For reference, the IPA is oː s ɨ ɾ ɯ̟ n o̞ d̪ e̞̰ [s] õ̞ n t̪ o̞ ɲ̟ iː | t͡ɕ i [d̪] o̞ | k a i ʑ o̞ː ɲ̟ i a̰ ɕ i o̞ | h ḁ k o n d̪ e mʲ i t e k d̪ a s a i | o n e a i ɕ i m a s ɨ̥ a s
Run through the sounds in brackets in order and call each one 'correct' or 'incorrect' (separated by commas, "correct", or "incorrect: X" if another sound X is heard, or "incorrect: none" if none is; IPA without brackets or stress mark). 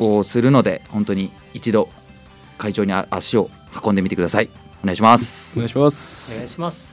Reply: incorrect: h, correct